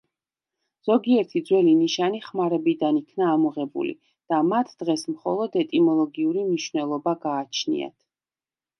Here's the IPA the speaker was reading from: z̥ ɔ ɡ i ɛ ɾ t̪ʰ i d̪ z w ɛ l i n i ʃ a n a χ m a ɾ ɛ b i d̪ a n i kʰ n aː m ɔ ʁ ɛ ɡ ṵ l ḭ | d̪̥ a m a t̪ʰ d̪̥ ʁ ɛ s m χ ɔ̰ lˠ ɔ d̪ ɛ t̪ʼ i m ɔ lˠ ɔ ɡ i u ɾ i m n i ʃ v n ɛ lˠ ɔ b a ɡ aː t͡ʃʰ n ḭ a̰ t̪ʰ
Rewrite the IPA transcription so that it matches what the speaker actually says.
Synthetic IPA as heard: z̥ ɔ ɡ i ɛ ɾ t̪ʰ i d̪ z w ɛ l i n i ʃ a n i χ m a ɾ ɛ b i d̪ a n i kʰ n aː m ɔ ʁ ɛ b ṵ l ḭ | d̪̥ a m a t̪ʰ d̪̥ ʁ ɛ s m χ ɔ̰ lˠ ɔ d̪ ɛ t̪ʼ i m ɔ lˠ ɔ ɡ i u ɾ i m n i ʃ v n ɛ lˠ ɔ b a ɡ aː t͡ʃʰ n ḭ a̰ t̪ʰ